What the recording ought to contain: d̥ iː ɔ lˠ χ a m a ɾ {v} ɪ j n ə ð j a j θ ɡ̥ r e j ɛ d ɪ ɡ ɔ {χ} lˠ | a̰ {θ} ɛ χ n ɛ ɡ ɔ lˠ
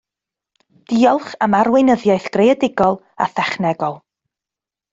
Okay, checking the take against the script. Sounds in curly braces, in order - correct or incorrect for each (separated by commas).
incorrect, incorrect, correct